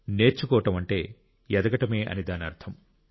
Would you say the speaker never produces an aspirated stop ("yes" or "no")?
no